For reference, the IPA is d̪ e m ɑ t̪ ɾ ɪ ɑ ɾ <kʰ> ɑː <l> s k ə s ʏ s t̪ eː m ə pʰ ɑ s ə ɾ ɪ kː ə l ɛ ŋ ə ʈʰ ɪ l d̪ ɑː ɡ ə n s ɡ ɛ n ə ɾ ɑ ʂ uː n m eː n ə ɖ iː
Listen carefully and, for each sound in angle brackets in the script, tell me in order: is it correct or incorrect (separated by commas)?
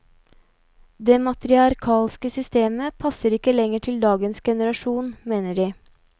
correct, correct